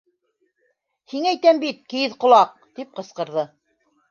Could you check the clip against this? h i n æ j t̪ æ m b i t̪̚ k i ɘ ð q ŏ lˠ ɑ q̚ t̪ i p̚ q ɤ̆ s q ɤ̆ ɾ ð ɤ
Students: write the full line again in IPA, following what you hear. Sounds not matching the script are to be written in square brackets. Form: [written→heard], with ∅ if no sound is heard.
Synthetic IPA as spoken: h i [n→ŋ] æ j t̪ æ m b i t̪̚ k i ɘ ð q ŏ lˠ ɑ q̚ t̪ i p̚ q ɤ̆ s q ɤ̆ ɾ ð ɤ